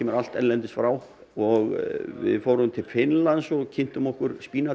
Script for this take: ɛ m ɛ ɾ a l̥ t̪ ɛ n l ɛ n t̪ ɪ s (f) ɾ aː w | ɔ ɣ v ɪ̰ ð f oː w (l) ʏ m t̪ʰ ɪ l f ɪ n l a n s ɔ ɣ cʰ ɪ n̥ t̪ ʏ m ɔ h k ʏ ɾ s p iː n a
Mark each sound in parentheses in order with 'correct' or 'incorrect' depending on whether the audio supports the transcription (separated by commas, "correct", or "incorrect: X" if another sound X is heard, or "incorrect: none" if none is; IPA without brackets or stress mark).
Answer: correct, incorrect: ɾ